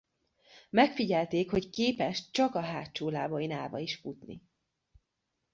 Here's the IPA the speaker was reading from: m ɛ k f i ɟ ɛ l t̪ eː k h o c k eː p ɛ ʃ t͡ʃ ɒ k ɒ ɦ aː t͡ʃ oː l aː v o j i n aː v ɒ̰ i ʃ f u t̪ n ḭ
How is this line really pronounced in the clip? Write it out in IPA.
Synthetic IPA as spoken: m ɛ k f i ɟ ɛ l t̪ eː k h o c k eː p ɛ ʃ t͡ʃ ɒ k ɒ ɦ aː t͡ʃ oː l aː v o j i n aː v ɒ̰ i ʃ f u t̪ n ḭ